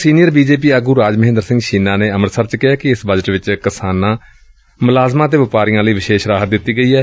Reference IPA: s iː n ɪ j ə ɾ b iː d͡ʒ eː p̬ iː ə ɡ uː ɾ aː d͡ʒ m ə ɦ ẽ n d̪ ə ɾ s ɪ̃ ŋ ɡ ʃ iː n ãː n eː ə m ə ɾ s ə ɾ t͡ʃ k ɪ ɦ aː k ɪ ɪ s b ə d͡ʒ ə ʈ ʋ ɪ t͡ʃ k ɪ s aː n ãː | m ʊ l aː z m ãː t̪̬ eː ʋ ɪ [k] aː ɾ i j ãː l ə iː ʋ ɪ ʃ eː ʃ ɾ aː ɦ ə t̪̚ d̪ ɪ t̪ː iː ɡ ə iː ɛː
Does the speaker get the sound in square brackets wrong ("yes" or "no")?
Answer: yes